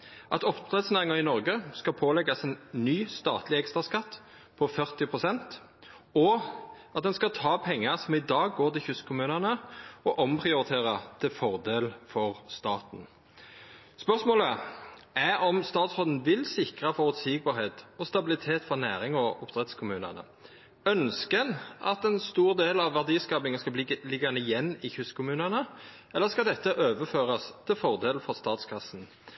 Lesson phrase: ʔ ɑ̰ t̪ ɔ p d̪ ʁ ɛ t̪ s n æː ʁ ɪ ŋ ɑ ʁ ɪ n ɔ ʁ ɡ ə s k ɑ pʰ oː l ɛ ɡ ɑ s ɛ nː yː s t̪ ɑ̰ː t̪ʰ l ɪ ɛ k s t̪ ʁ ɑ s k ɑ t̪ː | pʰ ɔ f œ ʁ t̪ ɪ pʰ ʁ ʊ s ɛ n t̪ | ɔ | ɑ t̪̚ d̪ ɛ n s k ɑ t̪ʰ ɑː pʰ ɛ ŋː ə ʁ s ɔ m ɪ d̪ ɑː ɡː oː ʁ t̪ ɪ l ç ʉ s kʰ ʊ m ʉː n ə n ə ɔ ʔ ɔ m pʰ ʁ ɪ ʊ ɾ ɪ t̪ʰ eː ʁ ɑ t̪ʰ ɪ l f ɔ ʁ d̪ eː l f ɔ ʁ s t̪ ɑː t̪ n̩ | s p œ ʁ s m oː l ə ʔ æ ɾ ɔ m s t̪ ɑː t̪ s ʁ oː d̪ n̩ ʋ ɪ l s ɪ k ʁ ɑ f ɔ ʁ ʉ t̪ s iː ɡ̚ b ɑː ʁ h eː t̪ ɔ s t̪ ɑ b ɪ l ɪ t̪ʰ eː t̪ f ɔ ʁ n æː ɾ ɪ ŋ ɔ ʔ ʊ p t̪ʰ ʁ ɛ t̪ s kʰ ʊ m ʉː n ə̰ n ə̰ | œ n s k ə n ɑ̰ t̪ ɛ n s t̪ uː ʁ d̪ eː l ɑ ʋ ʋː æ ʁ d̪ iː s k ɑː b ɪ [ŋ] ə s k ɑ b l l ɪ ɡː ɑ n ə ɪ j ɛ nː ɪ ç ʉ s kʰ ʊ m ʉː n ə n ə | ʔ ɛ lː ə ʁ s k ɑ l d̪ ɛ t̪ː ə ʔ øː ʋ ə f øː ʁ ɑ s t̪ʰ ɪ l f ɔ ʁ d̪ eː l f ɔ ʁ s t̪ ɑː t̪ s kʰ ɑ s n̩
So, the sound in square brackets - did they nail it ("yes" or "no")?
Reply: yes